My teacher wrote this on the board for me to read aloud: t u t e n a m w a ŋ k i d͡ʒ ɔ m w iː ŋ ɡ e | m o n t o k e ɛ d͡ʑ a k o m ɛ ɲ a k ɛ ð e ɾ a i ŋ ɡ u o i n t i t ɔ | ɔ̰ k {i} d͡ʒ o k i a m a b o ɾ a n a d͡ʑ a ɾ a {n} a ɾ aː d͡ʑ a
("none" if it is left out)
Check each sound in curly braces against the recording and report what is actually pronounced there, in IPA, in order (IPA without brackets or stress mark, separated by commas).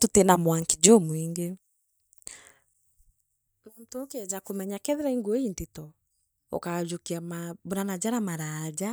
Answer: a, m